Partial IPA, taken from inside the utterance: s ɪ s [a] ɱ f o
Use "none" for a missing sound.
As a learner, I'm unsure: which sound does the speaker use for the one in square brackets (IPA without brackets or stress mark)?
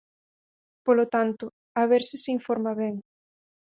i